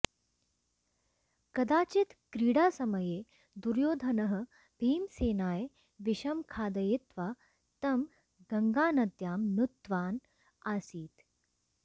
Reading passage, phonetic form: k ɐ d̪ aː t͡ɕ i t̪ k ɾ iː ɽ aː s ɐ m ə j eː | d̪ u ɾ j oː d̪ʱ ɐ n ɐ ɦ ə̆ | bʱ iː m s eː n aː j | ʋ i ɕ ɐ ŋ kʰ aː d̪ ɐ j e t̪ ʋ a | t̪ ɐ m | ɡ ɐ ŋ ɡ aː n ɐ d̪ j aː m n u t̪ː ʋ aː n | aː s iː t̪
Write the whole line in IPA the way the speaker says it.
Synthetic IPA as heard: k ɐ d̪ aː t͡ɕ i t̪ k ɾ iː ɽ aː s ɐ m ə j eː | d̪ u ɾ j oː d̪ʱ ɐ n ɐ ɦ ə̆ | bʱ iː m s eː n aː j | ʋ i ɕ ɐ m kʰ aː d̪ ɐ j e t̪ ʋ a | t̪ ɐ m | ɡ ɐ ŋ ɡ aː n ɐ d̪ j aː m n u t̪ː ʋ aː n | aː s iː t̪